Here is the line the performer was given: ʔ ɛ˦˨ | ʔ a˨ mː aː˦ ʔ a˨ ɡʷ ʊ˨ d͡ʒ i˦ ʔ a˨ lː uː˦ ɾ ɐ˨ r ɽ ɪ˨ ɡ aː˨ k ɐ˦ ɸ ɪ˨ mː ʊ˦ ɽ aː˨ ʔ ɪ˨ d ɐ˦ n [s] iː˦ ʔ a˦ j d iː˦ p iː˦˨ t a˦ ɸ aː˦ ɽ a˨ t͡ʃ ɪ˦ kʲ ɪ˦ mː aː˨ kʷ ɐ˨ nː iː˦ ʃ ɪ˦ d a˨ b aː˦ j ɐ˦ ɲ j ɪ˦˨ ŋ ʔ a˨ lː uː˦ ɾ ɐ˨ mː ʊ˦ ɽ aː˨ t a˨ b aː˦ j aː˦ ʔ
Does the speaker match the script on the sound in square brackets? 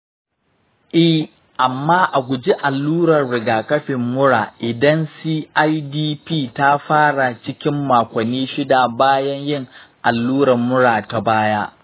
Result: yes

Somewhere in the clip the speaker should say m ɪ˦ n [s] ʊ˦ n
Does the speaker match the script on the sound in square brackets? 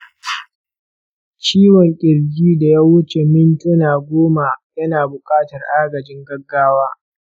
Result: no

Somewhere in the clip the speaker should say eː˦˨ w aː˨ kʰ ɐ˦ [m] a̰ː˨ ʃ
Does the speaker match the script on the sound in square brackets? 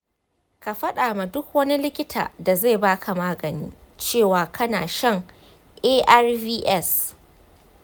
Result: no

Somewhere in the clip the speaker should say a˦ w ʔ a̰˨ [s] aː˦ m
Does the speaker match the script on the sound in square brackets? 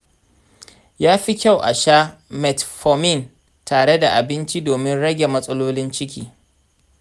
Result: no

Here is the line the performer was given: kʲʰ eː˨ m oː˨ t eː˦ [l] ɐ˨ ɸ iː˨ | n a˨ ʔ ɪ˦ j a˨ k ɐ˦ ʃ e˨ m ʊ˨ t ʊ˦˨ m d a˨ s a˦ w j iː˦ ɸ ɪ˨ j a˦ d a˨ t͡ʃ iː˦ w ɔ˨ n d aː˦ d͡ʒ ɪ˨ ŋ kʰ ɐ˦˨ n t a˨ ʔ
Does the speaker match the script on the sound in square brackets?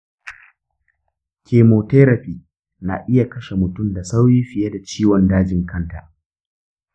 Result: no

